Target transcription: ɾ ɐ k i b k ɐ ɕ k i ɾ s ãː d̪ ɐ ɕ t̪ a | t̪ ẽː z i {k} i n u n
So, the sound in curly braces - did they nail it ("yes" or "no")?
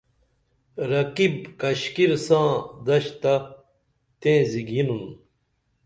no